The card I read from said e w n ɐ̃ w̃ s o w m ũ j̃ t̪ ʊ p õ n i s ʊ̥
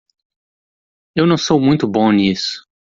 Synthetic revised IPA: e w n ɐ̃ w̃ s o w m ũ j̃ t̪ ʊ b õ n i s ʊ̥